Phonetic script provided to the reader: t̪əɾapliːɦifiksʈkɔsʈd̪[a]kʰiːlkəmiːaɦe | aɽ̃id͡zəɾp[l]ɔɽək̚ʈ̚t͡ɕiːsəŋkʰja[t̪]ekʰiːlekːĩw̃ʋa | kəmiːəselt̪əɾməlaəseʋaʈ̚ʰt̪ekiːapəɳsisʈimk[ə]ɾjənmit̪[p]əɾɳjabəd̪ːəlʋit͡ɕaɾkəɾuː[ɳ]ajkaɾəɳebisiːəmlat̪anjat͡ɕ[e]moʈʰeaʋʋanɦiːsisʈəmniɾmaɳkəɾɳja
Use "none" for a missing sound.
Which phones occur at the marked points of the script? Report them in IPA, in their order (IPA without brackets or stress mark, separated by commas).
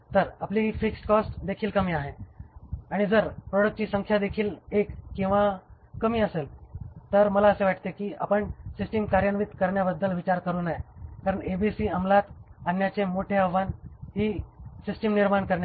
e, ɾ, d̪, a, k, n, e